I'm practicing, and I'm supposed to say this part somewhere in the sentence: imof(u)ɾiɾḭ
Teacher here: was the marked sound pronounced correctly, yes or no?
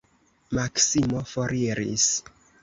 no